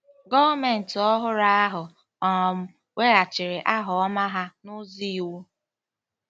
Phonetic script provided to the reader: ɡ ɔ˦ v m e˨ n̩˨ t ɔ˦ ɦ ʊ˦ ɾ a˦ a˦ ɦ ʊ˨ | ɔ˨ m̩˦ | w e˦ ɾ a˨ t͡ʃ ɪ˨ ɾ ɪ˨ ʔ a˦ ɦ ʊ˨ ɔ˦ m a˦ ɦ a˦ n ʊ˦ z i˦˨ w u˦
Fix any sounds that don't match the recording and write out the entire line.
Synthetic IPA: ɡ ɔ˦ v m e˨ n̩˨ t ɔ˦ ɦ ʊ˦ ɾ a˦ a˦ ɦ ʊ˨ | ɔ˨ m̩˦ | w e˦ ɾ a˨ t͡ʃ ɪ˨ ɾ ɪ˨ ʔ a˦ ɦ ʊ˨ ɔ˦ m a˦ ɦ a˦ n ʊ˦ z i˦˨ w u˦

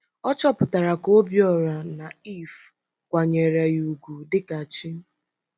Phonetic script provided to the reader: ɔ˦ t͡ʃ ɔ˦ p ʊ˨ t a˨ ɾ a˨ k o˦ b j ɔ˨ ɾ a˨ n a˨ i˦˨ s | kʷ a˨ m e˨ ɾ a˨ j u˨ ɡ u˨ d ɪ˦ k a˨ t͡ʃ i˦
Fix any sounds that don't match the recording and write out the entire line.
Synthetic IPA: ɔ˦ t͡ʃ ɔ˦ p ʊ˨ t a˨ ɾ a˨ k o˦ b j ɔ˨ ɾ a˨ n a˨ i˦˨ f | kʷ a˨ ɲ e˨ ɾ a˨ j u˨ ɡ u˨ d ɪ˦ k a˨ t͡ʃ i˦

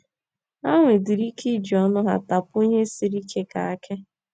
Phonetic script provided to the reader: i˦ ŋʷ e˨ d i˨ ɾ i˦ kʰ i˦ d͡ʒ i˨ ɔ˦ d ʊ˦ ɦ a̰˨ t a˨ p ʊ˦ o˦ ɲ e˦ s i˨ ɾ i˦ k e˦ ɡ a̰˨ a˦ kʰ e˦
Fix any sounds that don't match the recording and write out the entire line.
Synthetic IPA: a˦ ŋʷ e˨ d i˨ ɾ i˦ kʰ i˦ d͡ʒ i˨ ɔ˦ n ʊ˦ ɦ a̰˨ t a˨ p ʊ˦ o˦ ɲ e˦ s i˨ ɾ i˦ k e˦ k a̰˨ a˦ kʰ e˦

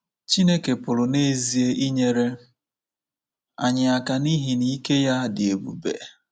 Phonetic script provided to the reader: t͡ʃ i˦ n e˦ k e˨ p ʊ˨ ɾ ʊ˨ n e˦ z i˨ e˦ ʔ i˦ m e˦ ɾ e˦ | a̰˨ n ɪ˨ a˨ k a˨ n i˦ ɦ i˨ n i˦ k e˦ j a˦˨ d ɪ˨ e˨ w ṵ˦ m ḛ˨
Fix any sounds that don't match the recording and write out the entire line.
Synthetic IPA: t͡ʃ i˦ n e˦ k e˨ p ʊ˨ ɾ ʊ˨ n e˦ z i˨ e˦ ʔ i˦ ɲ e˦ ɾ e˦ | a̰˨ ɲ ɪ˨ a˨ k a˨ n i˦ ɦ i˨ n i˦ k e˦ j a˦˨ d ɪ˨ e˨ b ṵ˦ b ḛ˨

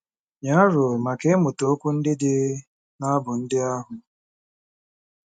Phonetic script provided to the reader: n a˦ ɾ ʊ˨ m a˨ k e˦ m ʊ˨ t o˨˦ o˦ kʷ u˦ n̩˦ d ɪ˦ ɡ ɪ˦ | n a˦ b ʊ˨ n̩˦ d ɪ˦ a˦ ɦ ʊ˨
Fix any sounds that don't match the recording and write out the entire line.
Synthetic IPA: ɲ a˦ ɾ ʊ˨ m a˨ k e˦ m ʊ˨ t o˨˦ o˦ kʷ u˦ n̩˦ d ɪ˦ d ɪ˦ | n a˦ b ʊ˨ n̩˦ d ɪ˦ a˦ ɦ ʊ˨

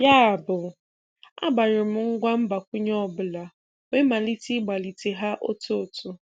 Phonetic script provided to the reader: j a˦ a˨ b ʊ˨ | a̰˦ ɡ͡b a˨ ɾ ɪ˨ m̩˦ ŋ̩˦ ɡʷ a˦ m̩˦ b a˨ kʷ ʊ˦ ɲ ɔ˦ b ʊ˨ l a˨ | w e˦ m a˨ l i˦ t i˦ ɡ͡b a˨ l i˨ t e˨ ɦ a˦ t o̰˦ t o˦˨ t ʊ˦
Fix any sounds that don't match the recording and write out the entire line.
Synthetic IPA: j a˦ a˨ b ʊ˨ | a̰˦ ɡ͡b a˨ ɾ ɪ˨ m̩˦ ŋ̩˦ ɡʷ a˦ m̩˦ b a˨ kʷ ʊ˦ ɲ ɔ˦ b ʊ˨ l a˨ | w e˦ m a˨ l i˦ t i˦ ɡ͡b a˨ l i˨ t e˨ ɦ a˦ ʔ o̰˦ t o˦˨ t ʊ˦

